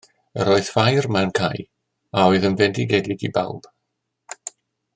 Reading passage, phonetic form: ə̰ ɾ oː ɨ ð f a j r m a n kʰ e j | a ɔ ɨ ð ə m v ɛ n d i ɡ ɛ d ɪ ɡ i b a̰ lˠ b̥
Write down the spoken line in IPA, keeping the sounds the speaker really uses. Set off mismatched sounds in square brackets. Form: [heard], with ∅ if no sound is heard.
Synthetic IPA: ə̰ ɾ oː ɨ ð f a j r m a n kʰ [a] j | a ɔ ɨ ð ə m v ɛ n d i ɡ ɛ d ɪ ɡ i b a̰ lˠ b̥